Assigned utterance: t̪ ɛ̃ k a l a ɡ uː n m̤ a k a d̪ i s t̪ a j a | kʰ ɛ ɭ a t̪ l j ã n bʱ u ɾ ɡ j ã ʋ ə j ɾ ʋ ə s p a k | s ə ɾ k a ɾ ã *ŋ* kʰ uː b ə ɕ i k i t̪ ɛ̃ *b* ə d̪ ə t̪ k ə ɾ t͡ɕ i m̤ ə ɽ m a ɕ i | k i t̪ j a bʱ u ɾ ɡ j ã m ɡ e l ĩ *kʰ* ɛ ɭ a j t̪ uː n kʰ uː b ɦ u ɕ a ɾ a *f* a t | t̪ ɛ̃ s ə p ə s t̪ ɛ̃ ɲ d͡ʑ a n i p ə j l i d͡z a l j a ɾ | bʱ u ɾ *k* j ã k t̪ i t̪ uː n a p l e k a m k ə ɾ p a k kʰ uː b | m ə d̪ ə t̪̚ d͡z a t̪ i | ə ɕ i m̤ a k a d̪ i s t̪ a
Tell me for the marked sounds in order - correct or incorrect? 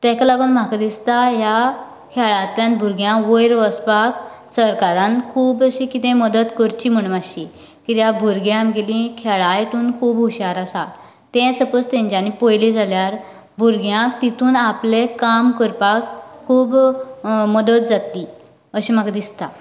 incorrect: n, incorrect: m, correct, incorrect: s, incorrect: ɡ

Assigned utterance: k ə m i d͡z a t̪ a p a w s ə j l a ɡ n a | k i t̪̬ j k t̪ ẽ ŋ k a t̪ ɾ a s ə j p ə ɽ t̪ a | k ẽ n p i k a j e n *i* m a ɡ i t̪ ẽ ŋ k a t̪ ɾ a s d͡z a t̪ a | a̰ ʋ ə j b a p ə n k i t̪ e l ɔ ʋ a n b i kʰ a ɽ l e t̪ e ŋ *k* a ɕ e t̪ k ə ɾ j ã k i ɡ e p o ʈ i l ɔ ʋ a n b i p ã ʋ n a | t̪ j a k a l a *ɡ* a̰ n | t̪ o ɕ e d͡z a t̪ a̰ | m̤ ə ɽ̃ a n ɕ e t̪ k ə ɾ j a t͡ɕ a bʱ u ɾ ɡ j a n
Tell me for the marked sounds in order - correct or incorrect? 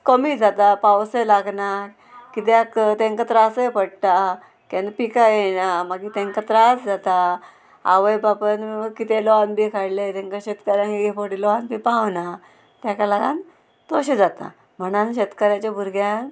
incorrect: a, correct, correct

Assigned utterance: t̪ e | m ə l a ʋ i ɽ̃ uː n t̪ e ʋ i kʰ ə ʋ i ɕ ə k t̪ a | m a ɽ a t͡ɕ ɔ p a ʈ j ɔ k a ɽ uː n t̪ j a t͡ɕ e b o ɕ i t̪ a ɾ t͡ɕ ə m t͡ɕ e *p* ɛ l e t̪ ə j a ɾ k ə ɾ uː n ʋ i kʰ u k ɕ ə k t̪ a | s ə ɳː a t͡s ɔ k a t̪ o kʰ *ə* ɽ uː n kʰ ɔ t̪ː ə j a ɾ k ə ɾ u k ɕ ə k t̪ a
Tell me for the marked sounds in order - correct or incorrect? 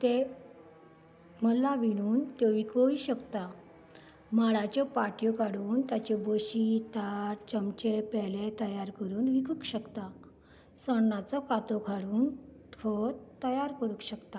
correct, incorrect: a

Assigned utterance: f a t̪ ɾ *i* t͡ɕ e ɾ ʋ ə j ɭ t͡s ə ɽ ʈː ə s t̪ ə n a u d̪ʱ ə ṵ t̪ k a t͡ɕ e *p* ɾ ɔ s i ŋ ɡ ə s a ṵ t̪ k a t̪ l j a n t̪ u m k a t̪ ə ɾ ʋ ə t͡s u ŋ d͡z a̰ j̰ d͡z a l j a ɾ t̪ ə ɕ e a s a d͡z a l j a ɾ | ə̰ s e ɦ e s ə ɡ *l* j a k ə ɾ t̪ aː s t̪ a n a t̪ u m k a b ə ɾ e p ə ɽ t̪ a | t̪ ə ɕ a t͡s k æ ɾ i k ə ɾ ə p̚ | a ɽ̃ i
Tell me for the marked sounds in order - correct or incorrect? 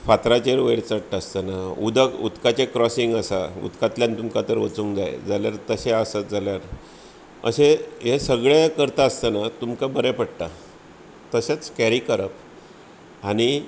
incorrect: a, incorrect: k, incorrect: ɭ

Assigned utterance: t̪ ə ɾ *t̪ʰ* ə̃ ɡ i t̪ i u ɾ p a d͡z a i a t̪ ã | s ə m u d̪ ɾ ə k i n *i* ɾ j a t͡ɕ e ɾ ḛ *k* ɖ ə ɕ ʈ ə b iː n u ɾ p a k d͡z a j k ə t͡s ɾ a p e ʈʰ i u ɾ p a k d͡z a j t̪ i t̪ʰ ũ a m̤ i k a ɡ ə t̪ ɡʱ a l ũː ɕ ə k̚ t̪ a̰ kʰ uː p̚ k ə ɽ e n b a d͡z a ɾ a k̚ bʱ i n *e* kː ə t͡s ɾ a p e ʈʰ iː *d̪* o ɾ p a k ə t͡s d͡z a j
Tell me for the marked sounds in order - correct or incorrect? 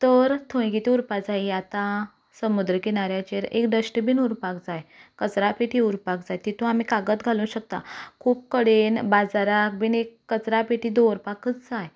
correct, incorrect: a, correct, correct, correct

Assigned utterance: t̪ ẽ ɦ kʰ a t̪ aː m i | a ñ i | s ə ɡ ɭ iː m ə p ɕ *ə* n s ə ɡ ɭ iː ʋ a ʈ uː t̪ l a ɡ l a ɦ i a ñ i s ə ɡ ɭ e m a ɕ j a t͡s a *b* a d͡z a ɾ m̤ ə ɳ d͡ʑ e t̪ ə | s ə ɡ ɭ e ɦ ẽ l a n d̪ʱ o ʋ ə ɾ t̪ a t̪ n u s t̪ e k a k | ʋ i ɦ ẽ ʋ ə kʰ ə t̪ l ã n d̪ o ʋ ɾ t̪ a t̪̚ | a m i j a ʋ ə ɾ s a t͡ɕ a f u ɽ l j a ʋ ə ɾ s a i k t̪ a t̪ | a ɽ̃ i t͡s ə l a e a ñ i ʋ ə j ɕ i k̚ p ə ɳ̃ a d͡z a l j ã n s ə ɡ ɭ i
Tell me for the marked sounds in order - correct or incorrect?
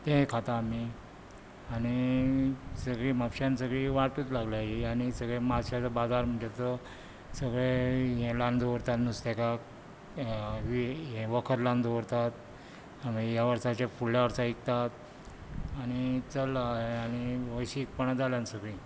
incorrect: a, correct

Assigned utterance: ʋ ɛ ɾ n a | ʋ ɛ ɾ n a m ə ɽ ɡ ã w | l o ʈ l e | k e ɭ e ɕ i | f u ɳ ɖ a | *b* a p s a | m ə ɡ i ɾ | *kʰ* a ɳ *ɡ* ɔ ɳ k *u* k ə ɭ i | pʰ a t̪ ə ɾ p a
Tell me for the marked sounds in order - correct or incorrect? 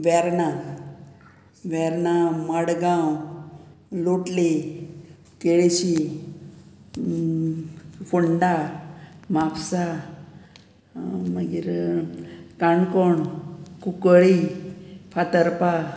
incorrect: m, incorrect: k, incorrect: k, correct

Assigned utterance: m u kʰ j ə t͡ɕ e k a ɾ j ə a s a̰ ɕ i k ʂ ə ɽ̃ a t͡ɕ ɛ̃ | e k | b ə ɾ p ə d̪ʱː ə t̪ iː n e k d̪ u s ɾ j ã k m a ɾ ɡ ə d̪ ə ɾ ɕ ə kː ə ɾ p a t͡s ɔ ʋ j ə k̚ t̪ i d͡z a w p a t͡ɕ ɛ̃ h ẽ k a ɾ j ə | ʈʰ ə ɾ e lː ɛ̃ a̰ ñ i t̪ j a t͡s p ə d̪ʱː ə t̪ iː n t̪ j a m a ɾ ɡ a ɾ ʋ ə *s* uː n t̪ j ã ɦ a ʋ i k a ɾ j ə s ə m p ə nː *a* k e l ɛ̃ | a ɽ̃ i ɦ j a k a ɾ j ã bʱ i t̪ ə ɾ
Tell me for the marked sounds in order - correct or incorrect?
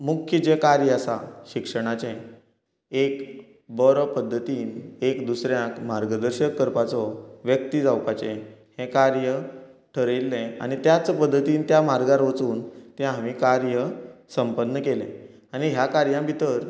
incorrect: t͡s, incorrect: ə

